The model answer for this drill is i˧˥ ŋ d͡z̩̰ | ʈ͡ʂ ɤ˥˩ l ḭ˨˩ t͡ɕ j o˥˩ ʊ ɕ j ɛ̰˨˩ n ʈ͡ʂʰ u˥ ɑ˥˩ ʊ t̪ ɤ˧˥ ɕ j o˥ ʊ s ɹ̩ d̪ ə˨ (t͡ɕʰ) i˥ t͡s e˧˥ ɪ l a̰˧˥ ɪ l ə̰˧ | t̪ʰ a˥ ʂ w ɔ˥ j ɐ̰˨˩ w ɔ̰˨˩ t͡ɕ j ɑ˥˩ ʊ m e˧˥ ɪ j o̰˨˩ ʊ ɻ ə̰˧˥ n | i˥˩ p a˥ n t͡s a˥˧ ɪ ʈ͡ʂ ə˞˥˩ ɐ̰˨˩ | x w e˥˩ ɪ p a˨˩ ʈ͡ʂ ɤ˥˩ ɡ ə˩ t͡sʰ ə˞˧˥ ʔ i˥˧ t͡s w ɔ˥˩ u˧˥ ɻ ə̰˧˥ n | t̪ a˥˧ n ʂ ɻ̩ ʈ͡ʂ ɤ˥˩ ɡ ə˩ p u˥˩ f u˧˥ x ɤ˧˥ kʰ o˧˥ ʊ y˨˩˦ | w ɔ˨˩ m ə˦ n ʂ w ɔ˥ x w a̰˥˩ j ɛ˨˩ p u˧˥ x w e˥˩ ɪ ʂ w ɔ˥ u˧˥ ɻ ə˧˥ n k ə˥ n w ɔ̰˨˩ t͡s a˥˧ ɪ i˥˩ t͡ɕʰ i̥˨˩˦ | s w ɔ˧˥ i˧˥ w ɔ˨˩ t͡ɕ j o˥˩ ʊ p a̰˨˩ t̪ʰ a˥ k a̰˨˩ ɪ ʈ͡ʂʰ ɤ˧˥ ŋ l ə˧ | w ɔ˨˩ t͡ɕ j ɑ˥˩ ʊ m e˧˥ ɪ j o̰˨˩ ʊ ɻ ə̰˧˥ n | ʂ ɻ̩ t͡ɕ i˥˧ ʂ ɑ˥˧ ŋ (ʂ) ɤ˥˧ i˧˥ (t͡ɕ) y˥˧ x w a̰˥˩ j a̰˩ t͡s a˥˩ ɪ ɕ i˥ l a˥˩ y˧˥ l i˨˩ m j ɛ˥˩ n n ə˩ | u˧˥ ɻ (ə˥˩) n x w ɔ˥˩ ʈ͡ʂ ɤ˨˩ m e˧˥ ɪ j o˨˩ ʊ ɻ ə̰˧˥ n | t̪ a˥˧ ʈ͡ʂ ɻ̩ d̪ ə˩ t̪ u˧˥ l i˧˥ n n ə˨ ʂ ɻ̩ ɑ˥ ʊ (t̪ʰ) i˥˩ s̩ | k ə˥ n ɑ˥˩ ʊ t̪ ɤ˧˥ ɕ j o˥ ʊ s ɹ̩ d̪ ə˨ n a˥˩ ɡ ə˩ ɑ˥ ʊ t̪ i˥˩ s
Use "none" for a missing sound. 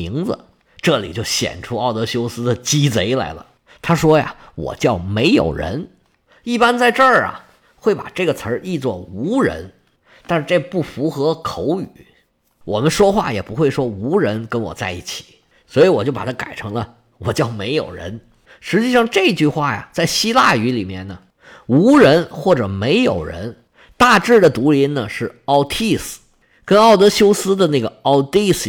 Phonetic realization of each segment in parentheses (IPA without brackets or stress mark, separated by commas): t͡ɕ, ʈ͡ʂ, t͡ɕ, ə˧˥, t̪ʰ